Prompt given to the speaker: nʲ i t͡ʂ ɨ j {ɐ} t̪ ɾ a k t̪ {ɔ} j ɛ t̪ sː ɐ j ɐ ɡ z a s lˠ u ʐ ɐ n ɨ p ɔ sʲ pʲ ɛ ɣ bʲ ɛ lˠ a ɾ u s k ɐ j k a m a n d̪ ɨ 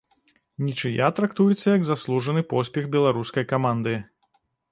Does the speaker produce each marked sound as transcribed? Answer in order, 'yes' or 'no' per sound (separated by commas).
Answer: no, no